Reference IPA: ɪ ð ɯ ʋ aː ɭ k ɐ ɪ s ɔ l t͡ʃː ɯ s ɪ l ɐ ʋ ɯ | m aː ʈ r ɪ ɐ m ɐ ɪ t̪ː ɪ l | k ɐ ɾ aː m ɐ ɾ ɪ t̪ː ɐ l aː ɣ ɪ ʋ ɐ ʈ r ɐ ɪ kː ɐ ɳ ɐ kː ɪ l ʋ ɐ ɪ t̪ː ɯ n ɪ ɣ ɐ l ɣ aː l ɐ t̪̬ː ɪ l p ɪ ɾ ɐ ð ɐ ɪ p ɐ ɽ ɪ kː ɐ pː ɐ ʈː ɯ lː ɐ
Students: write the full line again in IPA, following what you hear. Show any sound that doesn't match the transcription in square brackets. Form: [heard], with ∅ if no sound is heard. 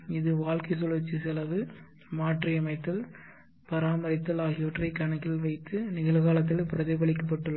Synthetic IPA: ɪ ð ɯ ʋ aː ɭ k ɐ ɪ s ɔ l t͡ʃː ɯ s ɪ l ɐ ʋ ɯ | m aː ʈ r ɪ ɐ m ɐ ɪ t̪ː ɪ l | [p] ɐ ɾ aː m ɐ ɾ ɪ t̪ː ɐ l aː ɣ ɪ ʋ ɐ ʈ r ɐ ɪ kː ɐ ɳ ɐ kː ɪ l ʋ ɐ ɪ t̪ː ɯ n ɪ ɣ ɐ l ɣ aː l ɐ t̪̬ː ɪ l p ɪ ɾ ɐ ð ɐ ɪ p ɐ [ɭ] ɪ kː ɐ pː ɐ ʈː ɯ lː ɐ